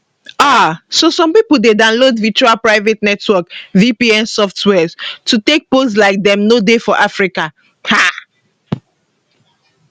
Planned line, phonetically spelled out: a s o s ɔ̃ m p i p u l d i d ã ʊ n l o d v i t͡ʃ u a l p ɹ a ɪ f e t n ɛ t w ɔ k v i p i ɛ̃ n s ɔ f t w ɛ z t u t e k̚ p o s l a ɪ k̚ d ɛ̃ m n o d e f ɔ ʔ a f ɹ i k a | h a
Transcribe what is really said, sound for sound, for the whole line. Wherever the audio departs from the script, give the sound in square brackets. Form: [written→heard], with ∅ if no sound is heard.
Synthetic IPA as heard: a s o s ɔ̃ m p i p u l d [i→e] d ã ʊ n l o d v i t͡ʃ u a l p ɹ a ɪ [f→v] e t n ɛ t w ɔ k v i p i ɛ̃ n s ɔ f t w ɛ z t u t e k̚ p o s l a ɪ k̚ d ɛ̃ m n o d e f ɔ ʔ a f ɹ i k a | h a

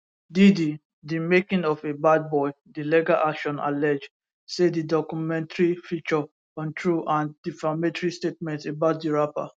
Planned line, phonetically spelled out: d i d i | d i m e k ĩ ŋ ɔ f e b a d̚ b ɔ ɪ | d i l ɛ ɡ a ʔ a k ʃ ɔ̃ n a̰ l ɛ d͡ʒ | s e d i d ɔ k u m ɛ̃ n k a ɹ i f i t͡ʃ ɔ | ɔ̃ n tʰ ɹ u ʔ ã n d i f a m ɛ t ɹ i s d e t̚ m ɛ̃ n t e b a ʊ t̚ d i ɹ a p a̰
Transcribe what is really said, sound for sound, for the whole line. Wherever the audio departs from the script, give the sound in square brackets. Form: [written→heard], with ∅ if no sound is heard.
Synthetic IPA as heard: d i d i | d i m e k ĩ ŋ ɔ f e b a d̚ b ɔ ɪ | d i l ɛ ɡ a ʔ a k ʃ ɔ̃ n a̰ l ɛ d͡ʒ | s e d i d ɔ k u m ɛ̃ n [k→t] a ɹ i f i t͡ʃ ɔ | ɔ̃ n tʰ ɹ u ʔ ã n d i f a m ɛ t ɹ i s [d→t] e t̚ m ɛ̃ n t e b a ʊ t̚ d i ɹ a p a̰

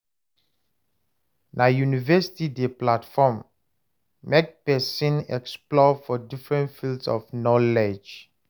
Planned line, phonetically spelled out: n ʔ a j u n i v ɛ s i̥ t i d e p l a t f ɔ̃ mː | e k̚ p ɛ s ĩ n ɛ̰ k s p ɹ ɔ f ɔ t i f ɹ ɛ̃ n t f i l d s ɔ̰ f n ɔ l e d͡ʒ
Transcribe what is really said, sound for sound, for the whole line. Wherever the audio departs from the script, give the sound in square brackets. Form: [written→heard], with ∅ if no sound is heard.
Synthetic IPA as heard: n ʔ a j u n i v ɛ s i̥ t i d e p l a t f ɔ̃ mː | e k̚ p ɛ s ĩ n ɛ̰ k s p [ɹ→l] ɔ f ɔ [t→d] i f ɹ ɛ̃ n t f i l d s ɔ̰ f n ɔ l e d͡ʒ

